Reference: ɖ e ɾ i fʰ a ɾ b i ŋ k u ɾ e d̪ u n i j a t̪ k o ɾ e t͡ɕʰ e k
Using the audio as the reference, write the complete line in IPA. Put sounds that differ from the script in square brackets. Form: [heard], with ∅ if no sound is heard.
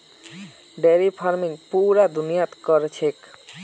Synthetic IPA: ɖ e ɾ i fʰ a ɾ [m] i ŋ [p] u ɾ [a] d̪ u n i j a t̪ k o ɾ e t͡ɕʰ e k